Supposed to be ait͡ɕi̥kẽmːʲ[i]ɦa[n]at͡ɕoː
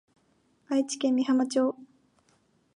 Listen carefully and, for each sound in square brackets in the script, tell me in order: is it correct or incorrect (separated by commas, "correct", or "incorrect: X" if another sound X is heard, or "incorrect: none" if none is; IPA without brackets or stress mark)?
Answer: correct, incorrect: m